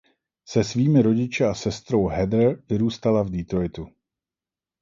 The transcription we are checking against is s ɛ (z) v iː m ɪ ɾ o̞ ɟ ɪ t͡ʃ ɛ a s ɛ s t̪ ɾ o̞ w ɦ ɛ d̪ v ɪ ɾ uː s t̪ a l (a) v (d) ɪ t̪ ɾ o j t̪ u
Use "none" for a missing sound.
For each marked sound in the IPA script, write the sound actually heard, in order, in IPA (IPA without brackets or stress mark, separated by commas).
s, a, d